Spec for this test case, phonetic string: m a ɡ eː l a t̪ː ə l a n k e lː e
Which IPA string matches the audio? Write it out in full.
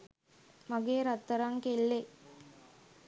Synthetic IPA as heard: m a ɡ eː ɾ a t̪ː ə ɾ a ŋ k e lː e